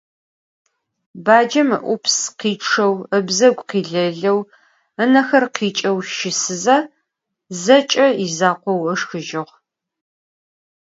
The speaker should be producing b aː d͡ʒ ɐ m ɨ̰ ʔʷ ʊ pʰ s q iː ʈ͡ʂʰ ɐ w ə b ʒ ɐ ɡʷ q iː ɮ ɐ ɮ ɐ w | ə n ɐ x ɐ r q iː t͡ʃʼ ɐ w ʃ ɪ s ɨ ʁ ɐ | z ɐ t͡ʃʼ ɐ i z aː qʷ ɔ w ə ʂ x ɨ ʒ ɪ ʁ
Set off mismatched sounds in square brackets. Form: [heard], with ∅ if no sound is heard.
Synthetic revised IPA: b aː d͡ʒ ɐ m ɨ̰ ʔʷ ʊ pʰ s q iː ʈ͡ʂʰ ɐ w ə b [z] ɐ ɡʷ q iː ɮ ɐ ɮ ɐ w | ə n ɐ x ɐ r q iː t͡ʃʼ ɐ w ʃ ɪ s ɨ [z] ɐ | z ɐ t͡ʃʼ ɐ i z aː qʷ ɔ w ə ʂ x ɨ ʒ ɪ ʁ